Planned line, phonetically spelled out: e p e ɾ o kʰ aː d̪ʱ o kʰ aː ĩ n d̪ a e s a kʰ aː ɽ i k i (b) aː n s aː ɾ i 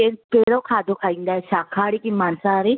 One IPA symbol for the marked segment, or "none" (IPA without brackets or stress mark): m